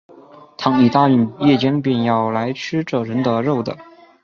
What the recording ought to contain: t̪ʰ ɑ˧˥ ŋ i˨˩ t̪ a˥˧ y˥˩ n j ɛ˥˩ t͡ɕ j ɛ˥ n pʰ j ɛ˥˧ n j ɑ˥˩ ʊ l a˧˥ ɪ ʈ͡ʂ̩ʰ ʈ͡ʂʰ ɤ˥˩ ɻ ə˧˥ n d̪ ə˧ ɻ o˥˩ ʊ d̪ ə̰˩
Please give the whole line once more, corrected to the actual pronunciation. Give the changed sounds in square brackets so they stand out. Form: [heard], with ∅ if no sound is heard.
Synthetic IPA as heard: t̪ʰ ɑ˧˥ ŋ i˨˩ t̪ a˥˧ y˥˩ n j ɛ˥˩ t͡ɕ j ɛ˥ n [p] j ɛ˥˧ n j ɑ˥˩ ʊ l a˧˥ ɪ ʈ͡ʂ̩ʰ [ʈ͡ʂ] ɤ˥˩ ɻ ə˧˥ n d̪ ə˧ ɻ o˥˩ ʊ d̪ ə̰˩